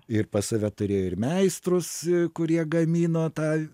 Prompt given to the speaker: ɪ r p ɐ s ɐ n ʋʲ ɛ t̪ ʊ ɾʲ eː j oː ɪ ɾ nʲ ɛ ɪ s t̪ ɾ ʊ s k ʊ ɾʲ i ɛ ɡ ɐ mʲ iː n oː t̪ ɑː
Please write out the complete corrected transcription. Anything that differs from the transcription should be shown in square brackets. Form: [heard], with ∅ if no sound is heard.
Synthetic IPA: ɪ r p ɐ s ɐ [∅] ʋʲ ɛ t̪ ʊ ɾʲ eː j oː ɪ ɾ [mʲ] ɛ ɪ s t̪ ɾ ʊ s k ʊ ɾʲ i ɛ ɡ ɐ mʲ iː n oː t̪ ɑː

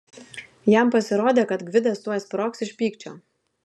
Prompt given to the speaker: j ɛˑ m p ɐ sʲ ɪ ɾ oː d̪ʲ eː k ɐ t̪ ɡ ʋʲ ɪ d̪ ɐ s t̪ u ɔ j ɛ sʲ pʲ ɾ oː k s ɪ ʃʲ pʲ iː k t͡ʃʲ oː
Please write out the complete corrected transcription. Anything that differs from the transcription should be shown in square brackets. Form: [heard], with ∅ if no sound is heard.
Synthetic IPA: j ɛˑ m p ɐ sʲ ɪ ɾ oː d̪ʲ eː k ɐ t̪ ɡ ʋʲ ɪ d̪ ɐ s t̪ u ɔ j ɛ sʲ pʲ ɾ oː k s ɪ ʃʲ pʲ iː k t͡ʃʲ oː

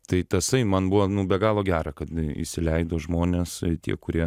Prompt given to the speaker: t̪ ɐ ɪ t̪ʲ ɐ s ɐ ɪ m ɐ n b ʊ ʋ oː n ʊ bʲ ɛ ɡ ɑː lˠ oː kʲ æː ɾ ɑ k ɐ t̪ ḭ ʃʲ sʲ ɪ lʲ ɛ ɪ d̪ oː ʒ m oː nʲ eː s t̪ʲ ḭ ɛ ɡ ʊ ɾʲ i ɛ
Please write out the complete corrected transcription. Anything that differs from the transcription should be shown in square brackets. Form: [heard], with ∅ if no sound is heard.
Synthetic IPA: t̪ ɐ ɪ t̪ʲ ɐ s ɐ ɪ m ɐ n b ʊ ʋ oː n ʊ bʲ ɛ ɡ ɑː lˠ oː [ɡʲ] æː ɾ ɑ k ɐ t̪ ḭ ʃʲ sʲ ɪ lʲ ɛ ɪ d̪ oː ʒ m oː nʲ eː s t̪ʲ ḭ ɛ [k] ʊ ɾʲ i ɛ

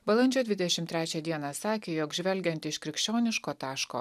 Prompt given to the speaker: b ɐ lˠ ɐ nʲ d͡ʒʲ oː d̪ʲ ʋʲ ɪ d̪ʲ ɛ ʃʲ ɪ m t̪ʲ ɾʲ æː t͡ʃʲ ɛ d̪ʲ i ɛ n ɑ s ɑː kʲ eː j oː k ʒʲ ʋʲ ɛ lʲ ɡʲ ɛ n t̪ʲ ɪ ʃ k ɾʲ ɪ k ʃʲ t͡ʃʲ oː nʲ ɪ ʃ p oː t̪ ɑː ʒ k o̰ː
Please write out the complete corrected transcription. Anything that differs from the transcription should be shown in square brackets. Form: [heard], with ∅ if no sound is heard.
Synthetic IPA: b ɐ lˠ ɐ nʲ d͡ʒʲ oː d̪ʲ ʋʲ ɪ d̪ʲ ɛ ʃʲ ɪ m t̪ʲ ɾʲ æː t͡ʃʲ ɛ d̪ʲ i ɛ n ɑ s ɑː kʲ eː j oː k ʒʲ ʋʲ ɛ lʲ ɡʲ ɛ n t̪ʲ ɪ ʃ k ɾʲ ɪ k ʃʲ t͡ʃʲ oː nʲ ɪ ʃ [k] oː t̪ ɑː [ʃ] k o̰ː

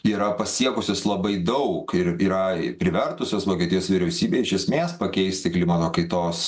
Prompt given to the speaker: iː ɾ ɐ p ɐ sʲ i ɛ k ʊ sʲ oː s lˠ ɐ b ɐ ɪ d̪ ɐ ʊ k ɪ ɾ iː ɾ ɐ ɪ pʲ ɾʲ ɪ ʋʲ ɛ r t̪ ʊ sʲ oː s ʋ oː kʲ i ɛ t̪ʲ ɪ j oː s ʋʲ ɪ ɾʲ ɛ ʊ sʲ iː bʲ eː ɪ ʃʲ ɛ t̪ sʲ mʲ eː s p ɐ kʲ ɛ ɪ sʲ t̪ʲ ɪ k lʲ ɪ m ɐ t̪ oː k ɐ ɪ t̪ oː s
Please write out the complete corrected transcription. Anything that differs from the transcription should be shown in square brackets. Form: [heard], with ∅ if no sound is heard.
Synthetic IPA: iː ɾ ɐ p ɐ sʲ i ɛ k ʊ sʲ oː s lˠ ɐ b ɐ ɪ d̪ ɐ ʊ k ɪ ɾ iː ɾ ɐ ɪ pʲ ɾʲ ɪ ʋʲ ɛ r t̪ ʊ sʲ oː s ʋ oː kʲ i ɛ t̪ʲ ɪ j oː s ʋʲ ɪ ɾʲ ɛ ʊ sʲ iː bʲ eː ɪ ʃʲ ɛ [∅] sʲ mʲ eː s p ɐ kʲ ɛ ɪ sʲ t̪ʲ ɪ k lʲ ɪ m ɐ t̪ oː k ɐ ɪ t̪ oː s

